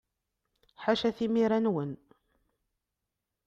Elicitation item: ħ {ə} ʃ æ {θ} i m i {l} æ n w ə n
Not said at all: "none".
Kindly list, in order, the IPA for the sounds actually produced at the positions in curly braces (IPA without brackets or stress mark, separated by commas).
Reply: a, θ, ɾ